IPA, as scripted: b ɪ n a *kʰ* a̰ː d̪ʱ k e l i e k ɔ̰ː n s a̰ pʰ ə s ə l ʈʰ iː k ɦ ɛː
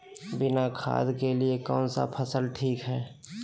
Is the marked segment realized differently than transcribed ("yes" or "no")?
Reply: no